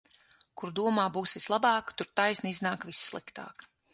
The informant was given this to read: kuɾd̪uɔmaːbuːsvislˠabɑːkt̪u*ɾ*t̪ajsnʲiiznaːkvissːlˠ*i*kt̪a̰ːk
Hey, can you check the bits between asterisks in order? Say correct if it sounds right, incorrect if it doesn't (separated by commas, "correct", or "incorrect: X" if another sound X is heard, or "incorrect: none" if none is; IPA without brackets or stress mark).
correct, correct